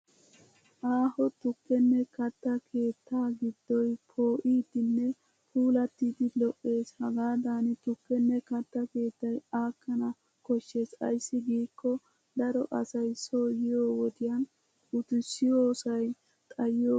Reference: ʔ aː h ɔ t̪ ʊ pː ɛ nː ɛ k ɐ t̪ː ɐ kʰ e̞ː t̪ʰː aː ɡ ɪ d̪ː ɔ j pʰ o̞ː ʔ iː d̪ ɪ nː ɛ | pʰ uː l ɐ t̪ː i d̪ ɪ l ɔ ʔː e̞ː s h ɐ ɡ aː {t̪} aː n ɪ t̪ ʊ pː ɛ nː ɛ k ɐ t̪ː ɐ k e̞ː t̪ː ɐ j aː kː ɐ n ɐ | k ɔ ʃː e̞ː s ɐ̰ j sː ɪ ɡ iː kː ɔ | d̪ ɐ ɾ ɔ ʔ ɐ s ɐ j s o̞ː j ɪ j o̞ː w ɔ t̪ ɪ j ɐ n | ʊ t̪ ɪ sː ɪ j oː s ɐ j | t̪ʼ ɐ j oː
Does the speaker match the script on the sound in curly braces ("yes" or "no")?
no